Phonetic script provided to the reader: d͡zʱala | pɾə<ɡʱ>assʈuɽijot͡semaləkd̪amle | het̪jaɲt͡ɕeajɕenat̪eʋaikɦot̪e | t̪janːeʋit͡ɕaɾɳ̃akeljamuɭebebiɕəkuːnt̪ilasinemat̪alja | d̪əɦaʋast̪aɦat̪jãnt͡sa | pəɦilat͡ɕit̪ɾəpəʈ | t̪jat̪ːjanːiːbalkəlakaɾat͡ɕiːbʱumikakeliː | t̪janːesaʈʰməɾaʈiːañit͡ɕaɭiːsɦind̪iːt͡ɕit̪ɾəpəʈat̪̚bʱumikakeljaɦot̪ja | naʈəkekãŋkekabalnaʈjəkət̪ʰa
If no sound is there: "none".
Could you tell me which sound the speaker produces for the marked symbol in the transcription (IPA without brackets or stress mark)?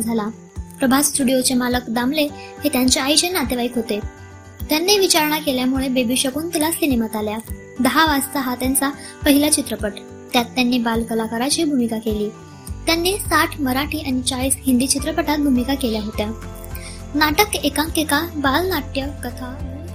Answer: bʱ